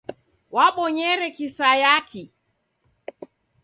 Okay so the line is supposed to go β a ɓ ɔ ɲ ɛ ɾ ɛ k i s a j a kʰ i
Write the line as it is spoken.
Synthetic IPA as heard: w a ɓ ɔ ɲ ɛ ɾ ɛ k i s a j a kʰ i